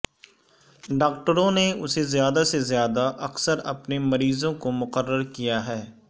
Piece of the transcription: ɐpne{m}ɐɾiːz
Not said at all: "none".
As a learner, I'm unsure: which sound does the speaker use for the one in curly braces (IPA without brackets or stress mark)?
m